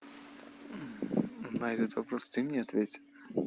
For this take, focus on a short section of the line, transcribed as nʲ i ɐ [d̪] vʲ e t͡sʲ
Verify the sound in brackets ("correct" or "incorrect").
incorrect